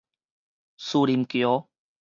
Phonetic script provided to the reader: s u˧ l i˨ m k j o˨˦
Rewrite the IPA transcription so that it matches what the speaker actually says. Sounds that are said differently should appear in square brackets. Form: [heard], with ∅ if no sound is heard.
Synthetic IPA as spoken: s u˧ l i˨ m k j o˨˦